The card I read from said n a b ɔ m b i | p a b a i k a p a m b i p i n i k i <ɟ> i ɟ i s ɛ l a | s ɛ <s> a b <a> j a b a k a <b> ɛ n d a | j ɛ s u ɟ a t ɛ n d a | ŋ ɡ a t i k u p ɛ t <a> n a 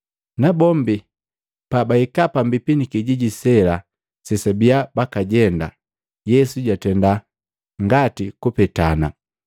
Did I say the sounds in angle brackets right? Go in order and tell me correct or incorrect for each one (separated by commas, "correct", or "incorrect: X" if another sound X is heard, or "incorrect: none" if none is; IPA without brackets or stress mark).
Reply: correct, correct, incorrect: i, incorrect: ɟ, correct